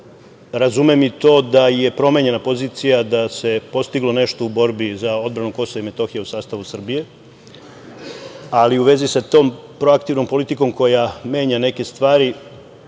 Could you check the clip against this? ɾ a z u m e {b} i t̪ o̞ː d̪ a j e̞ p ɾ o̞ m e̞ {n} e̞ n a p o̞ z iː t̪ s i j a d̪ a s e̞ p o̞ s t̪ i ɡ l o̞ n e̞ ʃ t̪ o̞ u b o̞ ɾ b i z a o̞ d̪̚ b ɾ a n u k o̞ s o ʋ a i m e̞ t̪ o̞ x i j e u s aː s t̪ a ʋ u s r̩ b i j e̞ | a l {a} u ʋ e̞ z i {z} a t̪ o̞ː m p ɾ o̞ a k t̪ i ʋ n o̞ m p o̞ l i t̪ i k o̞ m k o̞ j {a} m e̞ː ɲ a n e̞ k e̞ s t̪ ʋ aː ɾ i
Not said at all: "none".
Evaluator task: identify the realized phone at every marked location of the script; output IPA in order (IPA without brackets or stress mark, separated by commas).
m, ɲ, i, s, a